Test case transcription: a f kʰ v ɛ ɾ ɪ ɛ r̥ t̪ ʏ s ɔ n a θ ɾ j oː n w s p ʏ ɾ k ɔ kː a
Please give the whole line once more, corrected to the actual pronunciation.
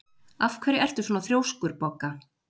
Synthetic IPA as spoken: a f kʰ v ɛ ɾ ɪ ɛ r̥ t̪ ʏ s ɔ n a θ ɾ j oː w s k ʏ ɾ p ɔ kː a